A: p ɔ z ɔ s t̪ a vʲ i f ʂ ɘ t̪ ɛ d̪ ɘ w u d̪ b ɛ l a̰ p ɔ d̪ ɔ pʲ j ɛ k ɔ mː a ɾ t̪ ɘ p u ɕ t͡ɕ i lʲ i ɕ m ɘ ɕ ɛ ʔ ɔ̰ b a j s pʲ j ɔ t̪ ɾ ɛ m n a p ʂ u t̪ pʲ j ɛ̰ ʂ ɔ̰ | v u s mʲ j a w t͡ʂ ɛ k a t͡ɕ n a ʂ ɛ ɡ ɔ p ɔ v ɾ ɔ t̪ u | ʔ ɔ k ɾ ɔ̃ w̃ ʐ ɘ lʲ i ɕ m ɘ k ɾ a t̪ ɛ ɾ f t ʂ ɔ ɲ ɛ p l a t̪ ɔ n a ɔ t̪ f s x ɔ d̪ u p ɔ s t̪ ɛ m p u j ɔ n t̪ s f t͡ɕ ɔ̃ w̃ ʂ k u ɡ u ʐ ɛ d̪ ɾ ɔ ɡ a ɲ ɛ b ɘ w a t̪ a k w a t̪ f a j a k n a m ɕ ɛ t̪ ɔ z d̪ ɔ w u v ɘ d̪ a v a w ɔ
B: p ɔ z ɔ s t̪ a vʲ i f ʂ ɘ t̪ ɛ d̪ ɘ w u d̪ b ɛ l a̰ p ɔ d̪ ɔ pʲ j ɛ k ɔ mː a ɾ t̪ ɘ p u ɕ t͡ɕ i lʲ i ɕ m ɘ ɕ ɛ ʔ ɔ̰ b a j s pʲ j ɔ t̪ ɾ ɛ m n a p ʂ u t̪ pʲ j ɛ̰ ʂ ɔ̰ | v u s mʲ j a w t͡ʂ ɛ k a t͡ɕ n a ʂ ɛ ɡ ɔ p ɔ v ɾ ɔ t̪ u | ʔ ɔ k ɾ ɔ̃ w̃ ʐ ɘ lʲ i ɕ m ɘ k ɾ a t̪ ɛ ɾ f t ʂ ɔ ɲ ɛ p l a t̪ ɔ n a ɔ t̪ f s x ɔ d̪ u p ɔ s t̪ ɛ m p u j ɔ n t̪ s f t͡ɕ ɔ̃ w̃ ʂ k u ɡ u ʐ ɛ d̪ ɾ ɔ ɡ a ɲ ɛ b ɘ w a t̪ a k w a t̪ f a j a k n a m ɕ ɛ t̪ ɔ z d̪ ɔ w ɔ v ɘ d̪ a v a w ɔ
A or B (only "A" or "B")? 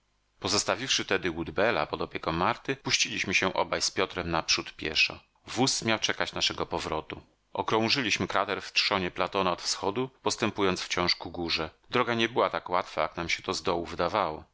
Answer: A